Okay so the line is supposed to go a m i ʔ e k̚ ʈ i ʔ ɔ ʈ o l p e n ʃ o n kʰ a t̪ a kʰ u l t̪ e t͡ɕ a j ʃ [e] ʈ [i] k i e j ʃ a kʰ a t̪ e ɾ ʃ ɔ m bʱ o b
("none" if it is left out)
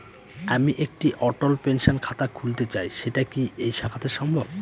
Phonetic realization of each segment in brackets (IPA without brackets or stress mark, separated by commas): e, a